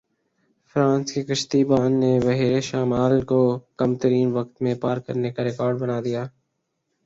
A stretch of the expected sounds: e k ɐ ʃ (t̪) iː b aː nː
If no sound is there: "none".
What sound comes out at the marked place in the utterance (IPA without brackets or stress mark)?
t̪